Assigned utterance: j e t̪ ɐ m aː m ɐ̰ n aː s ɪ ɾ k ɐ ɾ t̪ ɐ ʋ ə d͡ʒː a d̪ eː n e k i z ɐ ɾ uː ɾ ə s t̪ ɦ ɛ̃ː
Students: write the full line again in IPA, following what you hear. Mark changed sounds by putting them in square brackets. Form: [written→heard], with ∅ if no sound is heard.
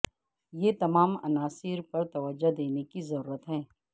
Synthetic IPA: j e t̪ ɐ m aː m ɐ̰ n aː s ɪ ɾ [k→p] ɐ ɾ t̪ ɐ ʋ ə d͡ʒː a d̪ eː n e k i z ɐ ɾ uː ɾ ə [s→∅] t̪ ɦ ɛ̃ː